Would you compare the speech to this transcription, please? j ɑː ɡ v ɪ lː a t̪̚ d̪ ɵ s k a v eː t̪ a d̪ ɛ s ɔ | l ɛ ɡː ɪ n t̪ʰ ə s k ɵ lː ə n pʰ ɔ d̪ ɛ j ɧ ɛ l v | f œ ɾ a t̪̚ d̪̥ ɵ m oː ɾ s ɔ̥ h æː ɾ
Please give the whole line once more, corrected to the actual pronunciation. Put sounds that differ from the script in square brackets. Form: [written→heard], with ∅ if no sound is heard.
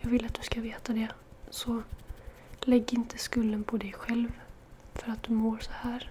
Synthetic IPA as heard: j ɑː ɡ v ɪ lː a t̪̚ d̪ ɵ s k a v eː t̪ a d̪ ɛ s ɔ | l ɛ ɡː ɪ n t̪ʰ ə s k ɵ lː ə n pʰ ɔ d̪ ɛ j ɧ ɛ l v | f œ ɾ a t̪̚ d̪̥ ɵ m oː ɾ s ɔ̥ h æː ɾ